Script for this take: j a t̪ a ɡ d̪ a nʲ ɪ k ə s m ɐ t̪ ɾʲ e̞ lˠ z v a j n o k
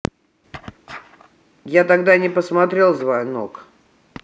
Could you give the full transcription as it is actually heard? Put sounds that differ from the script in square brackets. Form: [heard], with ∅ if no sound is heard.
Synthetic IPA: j a t̪ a ɡ d̪ a nʲ ɪ [p] ə s m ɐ t̪ ɾʲ e̞ lˠ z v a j n o k